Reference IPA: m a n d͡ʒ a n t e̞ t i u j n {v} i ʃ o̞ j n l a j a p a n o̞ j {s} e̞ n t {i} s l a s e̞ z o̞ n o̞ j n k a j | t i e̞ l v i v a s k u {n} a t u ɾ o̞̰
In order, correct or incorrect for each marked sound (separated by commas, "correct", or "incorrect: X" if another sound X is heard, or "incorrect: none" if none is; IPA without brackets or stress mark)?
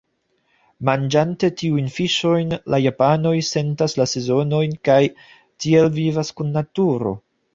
incorrect: f, correct, incorrect: a, incorrect: nː